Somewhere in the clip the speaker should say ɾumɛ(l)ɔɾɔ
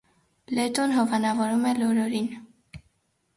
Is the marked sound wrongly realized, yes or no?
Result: no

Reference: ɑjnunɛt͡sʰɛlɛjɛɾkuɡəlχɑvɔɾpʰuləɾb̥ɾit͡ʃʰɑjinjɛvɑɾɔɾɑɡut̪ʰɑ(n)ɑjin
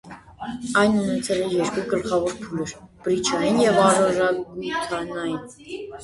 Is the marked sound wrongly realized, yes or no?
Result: no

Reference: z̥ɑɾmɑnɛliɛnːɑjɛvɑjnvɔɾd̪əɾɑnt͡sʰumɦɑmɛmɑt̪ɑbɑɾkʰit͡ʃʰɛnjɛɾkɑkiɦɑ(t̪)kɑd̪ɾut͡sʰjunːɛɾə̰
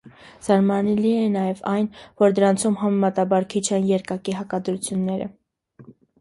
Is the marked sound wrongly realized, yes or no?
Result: yes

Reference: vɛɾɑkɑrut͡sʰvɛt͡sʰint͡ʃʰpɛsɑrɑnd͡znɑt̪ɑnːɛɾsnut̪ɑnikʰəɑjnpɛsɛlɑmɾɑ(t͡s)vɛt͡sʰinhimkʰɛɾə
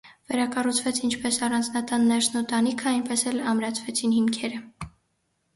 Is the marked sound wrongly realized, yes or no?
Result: yes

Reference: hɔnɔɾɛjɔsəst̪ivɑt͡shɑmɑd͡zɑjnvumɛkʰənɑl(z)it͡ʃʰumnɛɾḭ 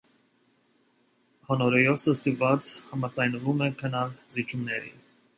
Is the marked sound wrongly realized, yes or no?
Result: no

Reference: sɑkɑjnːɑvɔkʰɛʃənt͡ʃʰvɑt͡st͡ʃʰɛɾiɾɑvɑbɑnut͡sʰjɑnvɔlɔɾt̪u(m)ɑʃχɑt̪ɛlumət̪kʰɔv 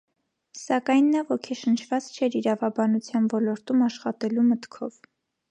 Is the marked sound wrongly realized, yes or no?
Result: no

